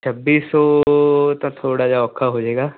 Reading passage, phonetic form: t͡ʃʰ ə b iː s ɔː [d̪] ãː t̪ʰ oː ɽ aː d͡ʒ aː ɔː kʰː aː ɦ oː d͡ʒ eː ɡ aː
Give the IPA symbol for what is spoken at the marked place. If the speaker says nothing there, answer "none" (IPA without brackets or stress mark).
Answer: t̪